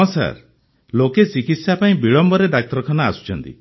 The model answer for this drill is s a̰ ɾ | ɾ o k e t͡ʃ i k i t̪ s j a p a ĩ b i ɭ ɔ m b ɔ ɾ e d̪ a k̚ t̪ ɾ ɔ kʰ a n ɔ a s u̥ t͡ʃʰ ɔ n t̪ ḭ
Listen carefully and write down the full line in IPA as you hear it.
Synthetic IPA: s a̰ ɾ | l o k e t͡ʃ i k i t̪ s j a p a ĩ b i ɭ ɔ m b ɔ ɾ e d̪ a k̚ t̪ ɾ ɔ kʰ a n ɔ a s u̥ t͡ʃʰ ɔ n t̪ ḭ